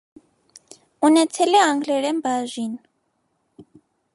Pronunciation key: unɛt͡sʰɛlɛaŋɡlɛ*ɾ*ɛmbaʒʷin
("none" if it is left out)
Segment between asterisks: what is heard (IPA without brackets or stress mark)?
ɾ